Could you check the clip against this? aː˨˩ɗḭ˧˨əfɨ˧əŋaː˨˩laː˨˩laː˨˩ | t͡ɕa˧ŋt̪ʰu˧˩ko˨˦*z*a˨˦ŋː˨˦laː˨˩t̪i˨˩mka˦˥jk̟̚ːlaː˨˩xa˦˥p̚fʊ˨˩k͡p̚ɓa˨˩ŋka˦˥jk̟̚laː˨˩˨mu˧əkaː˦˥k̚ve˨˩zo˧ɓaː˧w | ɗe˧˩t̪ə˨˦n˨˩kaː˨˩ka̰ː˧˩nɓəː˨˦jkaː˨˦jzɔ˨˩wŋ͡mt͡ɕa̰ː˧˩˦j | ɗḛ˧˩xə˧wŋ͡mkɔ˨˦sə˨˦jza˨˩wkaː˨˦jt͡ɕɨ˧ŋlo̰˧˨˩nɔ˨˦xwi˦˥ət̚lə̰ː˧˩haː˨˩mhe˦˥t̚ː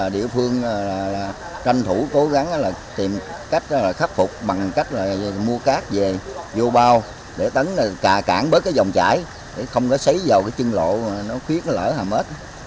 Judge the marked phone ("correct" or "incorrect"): incorrect